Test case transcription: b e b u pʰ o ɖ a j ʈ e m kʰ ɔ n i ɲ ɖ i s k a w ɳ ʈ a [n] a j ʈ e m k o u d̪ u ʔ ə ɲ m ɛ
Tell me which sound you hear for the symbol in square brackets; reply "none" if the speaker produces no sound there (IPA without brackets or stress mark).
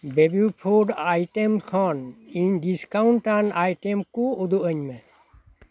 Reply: n